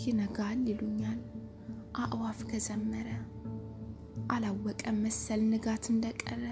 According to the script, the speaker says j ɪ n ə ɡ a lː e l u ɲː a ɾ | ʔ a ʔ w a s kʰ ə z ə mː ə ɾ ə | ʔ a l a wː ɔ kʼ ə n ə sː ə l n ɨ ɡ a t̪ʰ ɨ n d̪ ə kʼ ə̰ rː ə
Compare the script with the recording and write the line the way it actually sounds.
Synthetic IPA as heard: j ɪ n ə ɡ a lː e l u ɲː a l | ʔ a ʔ w a f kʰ ə z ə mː ə ɾ ə | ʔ a l a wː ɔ kʼ ə m ə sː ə l n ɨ ɡ a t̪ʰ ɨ n d̪ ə kʼ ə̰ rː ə